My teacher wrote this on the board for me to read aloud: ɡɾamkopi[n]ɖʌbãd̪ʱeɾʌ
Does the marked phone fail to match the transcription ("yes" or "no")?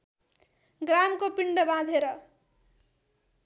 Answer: yes